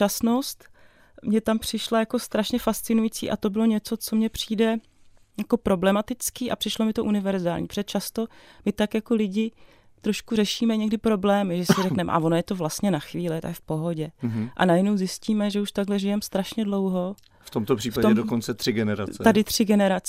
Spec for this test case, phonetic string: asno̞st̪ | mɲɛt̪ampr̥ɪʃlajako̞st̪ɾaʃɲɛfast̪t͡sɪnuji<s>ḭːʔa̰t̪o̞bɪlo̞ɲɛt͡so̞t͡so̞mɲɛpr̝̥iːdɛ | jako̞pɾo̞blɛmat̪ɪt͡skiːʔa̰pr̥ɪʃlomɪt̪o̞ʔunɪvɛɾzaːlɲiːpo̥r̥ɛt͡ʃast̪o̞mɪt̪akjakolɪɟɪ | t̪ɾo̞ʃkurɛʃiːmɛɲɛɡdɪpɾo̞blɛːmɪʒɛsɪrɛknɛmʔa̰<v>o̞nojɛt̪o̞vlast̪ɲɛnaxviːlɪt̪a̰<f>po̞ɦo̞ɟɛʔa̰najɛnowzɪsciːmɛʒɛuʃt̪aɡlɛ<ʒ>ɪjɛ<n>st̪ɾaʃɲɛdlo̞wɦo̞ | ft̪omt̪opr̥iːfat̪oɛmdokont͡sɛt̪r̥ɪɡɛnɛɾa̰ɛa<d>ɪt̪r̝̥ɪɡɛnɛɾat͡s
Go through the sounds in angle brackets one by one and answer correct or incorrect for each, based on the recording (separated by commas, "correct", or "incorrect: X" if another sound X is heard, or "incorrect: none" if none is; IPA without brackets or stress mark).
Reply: incorrect: t͡s, correct, correct, correct, incorrect: m, correct